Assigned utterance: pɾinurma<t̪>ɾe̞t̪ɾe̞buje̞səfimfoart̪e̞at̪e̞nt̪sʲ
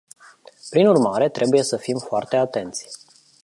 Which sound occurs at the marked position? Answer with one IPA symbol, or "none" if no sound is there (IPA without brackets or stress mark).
none